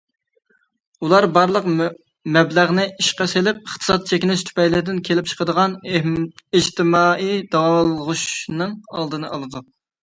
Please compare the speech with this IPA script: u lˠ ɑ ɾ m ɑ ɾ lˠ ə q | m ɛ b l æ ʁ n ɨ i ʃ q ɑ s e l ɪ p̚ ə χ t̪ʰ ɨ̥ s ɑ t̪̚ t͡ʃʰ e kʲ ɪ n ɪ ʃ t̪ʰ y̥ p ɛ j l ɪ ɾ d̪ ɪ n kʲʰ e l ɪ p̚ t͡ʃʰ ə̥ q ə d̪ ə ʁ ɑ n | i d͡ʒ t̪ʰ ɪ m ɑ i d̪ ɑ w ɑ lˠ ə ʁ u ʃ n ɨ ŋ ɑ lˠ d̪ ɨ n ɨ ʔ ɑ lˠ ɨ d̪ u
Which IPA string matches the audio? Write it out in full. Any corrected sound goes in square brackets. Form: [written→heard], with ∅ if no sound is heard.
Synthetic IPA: u lˠ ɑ ɾ [m→b] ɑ ɾ lˠ ə q | m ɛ b l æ ʁ n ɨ i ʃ q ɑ s e l ɪ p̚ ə χ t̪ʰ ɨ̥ s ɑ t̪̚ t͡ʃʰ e kʲ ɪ n ɪ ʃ t̪ʰ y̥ p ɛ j l ɪ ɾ d̪ ɪ n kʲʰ e l ɪ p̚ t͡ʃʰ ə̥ q ə d̪ ə ʁ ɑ n | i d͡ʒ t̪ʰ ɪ m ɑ i d̪ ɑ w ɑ lˠ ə ʁ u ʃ n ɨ ŋ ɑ lˠ d̪ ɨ n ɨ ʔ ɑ lˠ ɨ d̪ u

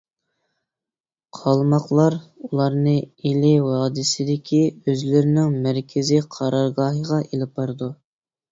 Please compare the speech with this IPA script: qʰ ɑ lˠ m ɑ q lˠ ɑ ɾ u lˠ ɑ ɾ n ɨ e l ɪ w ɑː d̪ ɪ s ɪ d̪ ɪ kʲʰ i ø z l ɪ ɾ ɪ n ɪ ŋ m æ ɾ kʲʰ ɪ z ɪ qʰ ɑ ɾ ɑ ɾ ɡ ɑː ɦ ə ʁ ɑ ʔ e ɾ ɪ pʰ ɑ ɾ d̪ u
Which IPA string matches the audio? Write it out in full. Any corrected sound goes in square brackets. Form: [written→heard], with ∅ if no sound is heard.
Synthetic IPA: qʰ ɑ lˠ m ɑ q lˠ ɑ ɾ u lˠ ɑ ɾ n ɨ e l ɪ w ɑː d̪ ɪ s ɪ d̪ ɪ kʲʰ i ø z l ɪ ɾ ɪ n ɪ ŋ m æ ɾ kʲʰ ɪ z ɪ qʰ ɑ ɾ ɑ ɾ ɡ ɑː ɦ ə ʁ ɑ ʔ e [ɾ→l] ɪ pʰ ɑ ɾ d̪ u

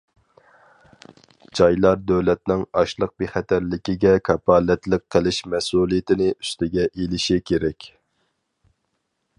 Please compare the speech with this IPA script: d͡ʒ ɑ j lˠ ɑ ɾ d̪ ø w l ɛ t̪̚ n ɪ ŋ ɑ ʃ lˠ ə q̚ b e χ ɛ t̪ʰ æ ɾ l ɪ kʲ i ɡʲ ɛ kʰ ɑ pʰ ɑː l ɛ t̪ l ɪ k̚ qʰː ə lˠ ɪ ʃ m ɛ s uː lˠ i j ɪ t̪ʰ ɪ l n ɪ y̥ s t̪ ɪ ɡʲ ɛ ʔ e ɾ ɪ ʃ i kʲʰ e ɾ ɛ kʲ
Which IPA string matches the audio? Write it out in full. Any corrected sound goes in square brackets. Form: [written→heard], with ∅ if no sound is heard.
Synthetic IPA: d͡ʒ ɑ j lˠ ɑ ɾ d̪ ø w l ɛ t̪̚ n ɪ ŋ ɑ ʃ lˠ ə q̚ b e χ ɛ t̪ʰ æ ɾ l ɪ kʲ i ɡʲ ɛ kʰ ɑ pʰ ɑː l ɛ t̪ l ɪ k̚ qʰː ə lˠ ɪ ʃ m ɛ s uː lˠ i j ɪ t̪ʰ ɪ [l→∅] n ɪ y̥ s t̪ ɪ ɡʲ ɛ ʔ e [ɾ→l] ɪ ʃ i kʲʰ e ɾ ɛ kʲ

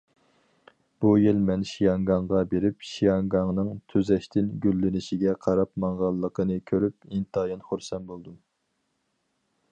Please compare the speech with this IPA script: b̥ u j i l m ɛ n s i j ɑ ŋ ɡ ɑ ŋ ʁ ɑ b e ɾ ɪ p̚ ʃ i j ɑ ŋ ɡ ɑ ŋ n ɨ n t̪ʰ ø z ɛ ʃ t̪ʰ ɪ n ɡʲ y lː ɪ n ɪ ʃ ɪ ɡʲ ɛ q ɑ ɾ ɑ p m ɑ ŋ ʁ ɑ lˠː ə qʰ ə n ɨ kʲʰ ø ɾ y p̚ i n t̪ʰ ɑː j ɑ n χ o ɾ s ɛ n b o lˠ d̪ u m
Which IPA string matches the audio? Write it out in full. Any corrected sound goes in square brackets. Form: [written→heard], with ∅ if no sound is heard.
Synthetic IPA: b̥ u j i l m ɛ n [s→ʃ] i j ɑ ŋ ɡ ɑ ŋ ʁ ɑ b e ɾ ɪ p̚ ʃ i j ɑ ŋ ɡ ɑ ŋ n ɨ [n→ŋ] t̪ʰ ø z ɛ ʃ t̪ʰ ɪ n ɡʲ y lː ɪ n ɪ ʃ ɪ ɡʲ ɛ [q→qʰ] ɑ ɾ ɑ p m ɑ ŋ ʁ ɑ lˠː ə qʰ ə n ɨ kʲʰ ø ɾ y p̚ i n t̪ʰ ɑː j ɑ n χ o ɾ s ɛ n b o lˠ d̪ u m

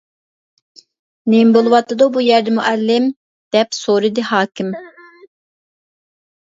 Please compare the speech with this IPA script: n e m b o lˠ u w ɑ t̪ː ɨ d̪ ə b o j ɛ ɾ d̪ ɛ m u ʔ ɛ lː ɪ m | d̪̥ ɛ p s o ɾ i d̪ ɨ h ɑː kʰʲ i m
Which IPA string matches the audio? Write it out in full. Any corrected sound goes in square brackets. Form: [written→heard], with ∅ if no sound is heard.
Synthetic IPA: n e m b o lˠ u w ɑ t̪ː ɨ d̪ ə b [o→u] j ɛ ɾ d̪ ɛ m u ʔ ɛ lː ɪ m | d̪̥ ɛ p s o ɾ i d̪ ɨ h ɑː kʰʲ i m

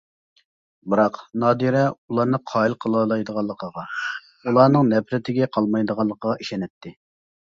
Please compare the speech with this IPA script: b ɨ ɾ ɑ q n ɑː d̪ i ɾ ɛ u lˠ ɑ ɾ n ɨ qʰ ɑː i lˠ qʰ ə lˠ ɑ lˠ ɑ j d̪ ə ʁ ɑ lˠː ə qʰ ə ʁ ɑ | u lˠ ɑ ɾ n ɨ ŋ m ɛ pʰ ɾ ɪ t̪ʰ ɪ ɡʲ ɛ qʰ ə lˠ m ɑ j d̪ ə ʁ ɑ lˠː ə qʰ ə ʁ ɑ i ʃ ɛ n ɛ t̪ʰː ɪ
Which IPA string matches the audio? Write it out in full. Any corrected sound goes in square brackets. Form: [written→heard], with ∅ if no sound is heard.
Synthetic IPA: b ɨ ɾ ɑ q n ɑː d̪ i ɾ ɛ u lˠ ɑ ɾ n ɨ qʰ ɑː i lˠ qʰ ə lˠ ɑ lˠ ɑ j d̪ ə ʁ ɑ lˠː ə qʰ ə ʁ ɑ | u lˠ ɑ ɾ n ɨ ŋ [m→n] ɛ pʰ ɾ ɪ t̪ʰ ɪ ɡʲ ɛ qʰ [ə→ɑ] lˠ m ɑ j d̪ ə ʁ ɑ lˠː ə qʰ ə ʁ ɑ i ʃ ɛ n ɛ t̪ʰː ɪ

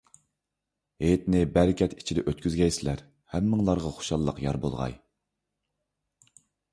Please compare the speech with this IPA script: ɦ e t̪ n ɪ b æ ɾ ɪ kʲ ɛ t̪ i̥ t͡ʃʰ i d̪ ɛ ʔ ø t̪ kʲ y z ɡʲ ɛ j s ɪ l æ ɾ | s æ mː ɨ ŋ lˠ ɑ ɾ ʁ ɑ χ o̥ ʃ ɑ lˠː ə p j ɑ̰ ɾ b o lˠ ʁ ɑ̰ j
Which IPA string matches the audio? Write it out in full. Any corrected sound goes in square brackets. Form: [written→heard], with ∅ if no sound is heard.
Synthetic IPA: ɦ e t̪ n ɪ b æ ɾ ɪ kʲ ɛ t̪ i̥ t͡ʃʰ i d̪ ɛ ʔ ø t̪ kʲ y z ɡʲ ɛ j s ɪ l æ ɾ | [s→h] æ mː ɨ ŋ lˠ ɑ ɾ ʁ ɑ χ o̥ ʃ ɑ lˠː ə [p→q] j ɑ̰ ɾ b o lˠ ʁ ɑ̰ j

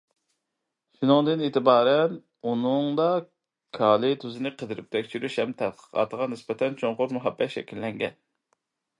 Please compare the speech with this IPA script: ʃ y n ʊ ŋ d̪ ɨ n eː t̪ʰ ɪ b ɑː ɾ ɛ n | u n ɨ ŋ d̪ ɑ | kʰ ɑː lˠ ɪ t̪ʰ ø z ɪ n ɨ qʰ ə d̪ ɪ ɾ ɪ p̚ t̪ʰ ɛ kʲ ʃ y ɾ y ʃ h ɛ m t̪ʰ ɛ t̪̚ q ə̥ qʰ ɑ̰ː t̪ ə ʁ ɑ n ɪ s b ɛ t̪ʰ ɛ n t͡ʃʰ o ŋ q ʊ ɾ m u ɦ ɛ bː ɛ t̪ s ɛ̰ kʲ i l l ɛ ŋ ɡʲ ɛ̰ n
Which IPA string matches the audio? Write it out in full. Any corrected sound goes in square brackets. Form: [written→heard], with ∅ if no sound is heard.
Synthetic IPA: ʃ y n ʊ ŋ d̪ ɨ n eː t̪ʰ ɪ b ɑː ɾ ɛ n | u n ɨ ŋ d̪ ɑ | kʰ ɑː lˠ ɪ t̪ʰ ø z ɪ n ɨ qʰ ə d̪ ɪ ɾ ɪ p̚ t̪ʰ ɛ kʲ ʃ y ɾ y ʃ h ɛ m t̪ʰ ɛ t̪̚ q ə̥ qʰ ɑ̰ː t̪ ə ʁ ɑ n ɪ s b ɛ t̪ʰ ɛ n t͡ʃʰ o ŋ q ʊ ɾ m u ɦ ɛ bː ɛ t̪ [s→ʃ] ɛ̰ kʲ i l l ɛ ŋ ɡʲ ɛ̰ n

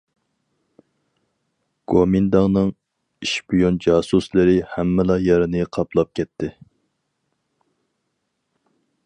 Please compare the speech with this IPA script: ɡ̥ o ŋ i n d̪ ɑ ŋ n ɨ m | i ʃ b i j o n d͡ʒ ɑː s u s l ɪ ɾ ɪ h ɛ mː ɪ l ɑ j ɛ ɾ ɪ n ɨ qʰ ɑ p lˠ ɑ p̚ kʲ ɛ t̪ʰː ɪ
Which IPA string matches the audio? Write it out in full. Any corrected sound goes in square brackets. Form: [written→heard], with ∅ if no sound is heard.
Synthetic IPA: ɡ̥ o [ŋ→m] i n d̪ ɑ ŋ n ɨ [m→ŋ] | i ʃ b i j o n d͡ʒ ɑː s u s l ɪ ɾ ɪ h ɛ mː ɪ l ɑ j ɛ ɾ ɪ n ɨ qʰ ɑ p lˠ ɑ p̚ kʲ ɛ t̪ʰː ɪ

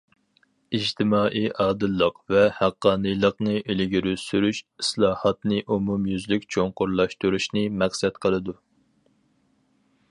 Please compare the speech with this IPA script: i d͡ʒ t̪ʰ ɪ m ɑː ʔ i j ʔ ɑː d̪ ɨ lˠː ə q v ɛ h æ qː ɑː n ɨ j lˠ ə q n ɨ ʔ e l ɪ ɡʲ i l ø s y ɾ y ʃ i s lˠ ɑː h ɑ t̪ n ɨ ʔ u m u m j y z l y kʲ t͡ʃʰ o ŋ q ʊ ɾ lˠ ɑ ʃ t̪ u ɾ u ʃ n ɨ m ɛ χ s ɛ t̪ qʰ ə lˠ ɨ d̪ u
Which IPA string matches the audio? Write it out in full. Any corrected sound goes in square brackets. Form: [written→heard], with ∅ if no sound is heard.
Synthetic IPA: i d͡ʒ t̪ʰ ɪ m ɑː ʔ i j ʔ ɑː d̪ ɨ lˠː ə q v ɛ h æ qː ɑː n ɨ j lˠ ə q n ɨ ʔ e l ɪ ɡʲ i [l→ɾ] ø s y ɾ y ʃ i s lˠ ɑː h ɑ t̪ n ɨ ʔ u m u m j y z l y kʲ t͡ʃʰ o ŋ q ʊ ɾ lˠ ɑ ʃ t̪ u ɾ u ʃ n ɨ m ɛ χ s ɛ t̪ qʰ ə lˠ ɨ d̪ u

